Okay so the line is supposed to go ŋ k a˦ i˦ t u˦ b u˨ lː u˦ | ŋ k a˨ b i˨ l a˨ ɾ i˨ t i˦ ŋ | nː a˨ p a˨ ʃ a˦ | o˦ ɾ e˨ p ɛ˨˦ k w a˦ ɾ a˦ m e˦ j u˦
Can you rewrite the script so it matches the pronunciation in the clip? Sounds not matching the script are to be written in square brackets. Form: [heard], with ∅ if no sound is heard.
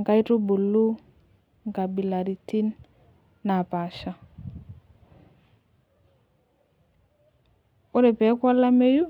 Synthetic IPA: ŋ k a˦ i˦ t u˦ b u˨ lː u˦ | ŋ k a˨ b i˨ l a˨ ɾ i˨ t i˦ [n] | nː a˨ p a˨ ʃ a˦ | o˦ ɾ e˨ p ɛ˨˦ k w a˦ [l] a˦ m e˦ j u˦

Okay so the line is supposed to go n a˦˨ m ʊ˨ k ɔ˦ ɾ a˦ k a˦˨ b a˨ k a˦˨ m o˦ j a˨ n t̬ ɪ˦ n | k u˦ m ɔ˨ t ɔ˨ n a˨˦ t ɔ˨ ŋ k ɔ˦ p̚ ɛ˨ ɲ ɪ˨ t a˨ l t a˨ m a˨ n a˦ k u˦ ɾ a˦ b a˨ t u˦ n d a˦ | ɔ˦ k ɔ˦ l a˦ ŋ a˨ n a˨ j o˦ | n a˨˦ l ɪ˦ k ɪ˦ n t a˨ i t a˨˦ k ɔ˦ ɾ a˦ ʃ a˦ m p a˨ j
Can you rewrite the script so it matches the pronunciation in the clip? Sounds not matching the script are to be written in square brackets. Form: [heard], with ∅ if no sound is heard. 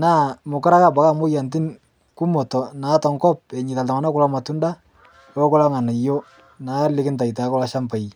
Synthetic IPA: n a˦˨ m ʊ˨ k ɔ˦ ɾ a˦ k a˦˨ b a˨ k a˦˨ m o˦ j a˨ n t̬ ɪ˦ n | k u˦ m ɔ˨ t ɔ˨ n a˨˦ t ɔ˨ ŋ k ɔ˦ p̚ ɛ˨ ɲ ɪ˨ t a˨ l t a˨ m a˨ n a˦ k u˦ [l] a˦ [m] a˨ t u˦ n d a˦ | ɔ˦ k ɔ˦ l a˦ ŋ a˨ n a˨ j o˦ | n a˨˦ l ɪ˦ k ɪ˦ n t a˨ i t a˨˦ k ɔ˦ [l] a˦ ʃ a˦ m p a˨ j

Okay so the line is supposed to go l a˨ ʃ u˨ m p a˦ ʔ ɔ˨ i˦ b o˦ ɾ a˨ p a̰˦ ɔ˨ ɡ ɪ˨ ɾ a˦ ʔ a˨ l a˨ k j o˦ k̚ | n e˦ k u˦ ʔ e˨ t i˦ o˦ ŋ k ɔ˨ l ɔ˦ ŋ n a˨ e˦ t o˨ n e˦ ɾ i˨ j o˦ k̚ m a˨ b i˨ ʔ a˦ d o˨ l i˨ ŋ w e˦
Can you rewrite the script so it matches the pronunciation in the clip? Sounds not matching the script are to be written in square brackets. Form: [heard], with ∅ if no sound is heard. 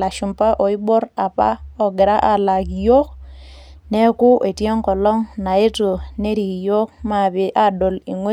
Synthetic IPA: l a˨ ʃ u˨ m p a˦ ʔ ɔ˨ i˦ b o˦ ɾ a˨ p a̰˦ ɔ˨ ɡ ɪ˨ ɾ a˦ ʔ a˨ l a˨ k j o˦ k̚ | n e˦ k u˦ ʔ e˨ t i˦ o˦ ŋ k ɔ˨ l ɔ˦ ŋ n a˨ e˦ t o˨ n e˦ ɾ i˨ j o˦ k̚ m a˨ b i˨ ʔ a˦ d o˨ l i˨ ŋ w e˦

